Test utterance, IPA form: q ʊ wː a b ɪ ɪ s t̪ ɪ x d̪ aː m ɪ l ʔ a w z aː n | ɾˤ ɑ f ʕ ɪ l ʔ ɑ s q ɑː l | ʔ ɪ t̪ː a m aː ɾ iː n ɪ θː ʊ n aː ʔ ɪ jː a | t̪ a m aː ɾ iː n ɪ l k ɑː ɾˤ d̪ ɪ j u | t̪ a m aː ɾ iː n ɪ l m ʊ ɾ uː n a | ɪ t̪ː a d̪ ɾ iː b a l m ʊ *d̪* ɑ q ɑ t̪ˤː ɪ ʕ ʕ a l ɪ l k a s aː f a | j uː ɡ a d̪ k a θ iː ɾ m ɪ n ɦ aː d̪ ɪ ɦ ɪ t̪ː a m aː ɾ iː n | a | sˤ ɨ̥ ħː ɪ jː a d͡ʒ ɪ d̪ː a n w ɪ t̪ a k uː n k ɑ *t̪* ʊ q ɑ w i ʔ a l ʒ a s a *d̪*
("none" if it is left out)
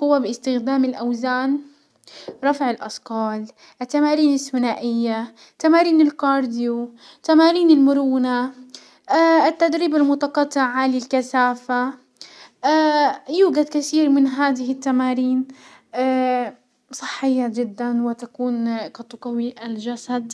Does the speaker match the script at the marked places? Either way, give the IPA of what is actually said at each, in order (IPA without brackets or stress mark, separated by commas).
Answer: t̪, t̪, d̪